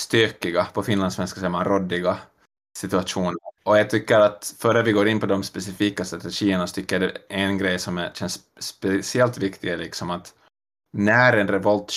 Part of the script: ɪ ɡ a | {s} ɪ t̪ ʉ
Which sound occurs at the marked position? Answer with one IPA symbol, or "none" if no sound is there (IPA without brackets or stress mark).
s